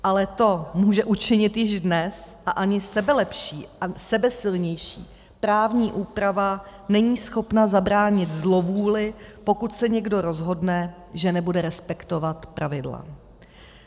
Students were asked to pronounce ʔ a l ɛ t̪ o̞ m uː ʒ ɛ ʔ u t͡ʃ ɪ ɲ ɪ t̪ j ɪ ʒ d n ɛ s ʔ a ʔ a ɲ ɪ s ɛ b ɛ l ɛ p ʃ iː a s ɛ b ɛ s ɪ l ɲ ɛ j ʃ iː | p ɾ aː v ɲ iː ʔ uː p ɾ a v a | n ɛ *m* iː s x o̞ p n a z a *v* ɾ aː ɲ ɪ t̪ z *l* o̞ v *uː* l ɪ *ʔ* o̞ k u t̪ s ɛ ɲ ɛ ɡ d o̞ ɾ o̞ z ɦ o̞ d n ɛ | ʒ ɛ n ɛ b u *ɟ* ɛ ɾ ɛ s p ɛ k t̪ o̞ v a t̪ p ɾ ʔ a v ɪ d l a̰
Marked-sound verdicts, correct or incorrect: incorrect: ɲ, incorrect: b, correct, correct, incorrect: p, incorrect: d

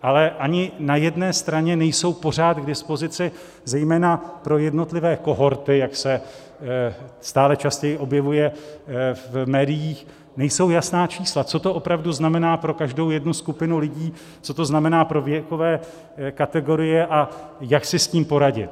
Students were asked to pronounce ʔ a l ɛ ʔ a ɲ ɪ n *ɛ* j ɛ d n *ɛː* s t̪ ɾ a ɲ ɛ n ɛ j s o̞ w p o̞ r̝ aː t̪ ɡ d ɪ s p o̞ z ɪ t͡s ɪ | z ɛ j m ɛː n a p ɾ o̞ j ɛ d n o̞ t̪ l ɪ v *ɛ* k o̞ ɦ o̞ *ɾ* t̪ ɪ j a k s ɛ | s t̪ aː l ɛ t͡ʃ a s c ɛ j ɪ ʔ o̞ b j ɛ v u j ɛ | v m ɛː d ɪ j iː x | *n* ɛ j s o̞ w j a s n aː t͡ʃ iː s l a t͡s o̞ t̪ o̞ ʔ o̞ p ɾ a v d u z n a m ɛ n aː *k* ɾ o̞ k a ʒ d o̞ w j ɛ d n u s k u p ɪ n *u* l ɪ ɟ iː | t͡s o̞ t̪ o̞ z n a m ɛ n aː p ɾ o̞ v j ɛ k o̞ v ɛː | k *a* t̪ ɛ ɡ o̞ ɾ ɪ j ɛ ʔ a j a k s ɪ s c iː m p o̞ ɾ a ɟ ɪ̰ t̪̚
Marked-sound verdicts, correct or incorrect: incorrect: a, correct, incorrect: ɛː, correct, correct, incorrect: p, correct, correct

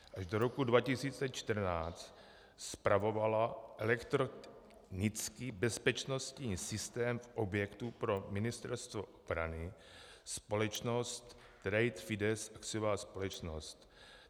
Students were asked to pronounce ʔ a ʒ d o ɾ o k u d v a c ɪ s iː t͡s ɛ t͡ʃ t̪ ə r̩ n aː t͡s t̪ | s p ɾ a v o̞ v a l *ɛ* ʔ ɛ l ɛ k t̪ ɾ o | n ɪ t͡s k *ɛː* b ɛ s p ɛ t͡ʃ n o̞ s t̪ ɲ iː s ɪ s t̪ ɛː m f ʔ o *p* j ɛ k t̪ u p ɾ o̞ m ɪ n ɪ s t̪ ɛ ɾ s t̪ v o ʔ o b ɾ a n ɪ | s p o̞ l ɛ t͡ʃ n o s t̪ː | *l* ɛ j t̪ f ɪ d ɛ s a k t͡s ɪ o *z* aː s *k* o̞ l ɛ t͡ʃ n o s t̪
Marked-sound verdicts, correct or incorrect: incorrect: a, incorrect: iː, incorrect: b, incorrect: ɾ, incorrect: v, incorrect: p

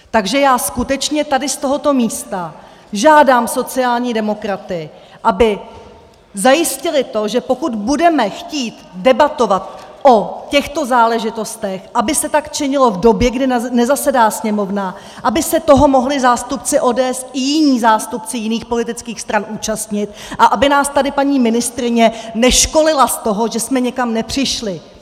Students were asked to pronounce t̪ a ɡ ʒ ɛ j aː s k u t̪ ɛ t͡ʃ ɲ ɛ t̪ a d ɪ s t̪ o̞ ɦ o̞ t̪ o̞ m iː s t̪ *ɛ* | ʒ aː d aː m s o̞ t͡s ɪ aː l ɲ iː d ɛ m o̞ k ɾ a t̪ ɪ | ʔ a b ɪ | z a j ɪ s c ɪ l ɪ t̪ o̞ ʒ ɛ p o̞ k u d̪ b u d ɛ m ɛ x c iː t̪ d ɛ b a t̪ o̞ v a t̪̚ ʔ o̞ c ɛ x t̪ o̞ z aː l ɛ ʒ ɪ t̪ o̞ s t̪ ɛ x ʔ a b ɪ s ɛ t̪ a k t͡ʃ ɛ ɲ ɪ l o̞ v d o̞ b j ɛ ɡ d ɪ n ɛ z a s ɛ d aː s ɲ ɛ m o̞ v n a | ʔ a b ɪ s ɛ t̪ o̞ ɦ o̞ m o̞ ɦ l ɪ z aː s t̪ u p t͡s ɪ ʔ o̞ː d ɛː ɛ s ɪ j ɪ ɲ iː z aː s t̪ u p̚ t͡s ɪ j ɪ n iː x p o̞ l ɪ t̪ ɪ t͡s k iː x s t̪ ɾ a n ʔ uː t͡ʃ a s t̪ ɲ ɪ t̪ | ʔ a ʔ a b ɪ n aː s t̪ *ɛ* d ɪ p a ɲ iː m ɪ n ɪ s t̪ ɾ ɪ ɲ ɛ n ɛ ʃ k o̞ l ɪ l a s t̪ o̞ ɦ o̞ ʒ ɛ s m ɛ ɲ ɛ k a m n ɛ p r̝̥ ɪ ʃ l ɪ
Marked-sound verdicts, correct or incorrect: incorrect: a, incorrect: a

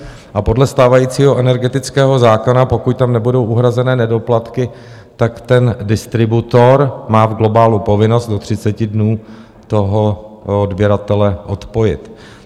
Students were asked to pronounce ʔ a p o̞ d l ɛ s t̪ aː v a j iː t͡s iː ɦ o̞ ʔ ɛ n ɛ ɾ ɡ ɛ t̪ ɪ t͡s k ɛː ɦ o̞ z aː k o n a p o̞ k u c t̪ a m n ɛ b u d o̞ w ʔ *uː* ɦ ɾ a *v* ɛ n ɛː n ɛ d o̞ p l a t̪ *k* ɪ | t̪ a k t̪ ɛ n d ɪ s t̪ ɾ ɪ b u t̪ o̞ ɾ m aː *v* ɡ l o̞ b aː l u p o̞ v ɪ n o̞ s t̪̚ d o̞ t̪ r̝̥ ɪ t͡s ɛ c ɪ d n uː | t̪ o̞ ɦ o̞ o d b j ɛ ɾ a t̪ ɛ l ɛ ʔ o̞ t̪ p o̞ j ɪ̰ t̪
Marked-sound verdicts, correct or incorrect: incorrect: u, incorrect: z, correct, correct

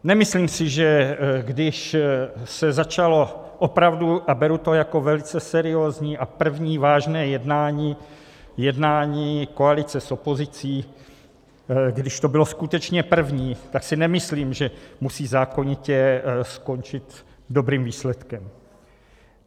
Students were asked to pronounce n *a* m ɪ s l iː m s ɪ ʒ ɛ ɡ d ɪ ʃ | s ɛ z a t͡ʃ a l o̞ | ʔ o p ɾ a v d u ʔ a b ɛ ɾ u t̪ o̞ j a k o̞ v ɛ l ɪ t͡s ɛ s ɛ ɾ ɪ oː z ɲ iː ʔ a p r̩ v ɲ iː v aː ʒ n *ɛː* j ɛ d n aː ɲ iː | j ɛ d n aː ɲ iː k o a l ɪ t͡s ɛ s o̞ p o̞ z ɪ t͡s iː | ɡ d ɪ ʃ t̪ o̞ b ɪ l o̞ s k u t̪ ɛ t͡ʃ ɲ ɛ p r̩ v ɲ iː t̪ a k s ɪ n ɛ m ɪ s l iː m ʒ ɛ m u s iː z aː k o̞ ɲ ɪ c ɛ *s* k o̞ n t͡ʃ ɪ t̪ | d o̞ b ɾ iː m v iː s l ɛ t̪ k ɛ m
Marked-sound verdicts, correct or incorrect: incorrect: ɛ, correct, correct

